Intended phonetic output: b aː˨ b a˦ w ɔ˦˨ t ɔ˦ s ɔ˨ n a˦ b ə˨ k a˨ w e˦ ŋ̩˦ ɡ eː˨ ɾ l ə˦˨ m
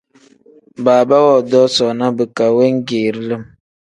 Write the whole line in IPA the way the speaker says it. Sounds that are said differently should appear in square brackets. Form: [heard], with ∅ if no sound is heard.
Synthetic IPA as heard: b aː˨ b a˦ w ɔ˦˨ [d] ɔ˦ s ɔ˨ n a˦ b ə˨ k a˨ w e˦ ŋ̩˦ ɡ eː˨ ɾ l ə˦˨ m